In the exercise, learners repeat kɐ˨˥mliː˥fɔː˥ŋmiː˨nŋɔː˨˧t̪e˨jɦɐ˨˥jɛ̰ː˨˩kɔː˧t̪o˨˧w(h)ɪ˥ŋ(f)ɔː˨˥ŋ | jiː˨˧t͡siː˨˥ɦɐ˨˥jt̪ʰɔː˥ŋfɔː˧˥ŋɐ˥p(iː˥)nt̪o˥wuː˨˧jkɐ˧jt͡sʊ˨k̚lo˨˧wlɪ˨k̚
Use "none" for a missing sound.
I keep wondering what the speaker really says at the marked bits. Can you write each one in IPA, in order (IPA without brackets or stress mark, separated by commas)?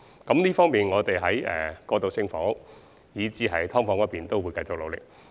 s, f, iː˨